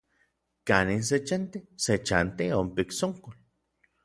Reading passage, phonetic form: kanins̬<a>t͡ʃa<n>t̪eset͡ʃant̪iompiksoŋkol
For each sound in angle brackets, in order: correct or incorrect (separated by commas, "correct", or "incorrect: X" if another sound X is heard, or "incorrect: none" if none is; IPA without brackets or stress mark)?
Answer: incorrect: e, correct